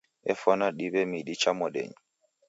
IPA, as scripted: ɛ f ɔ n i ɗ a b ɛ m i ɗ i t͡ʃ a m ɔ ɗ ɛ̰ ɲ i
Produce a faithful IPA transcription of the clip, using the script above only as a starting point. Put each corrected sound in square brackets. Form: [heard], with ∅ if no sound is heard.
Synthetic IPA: ɛ f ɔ n [a] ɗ [i] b ɛ m i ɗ i t͡ʃ a m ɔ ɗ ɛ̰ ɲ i